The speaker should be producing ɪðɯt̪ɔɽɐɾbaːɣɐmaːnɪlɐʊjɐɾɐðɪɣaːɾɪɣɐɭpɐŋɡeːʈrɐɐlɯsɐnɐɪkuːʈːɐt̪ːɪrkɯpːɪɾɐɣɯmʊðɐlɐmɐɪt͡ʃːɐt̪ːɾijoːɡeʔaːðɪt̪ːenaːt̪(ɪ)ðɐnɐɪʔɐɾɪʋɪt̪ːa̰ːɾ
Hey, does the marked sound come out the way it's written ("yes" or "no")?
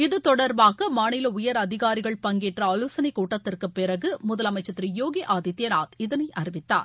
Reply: yes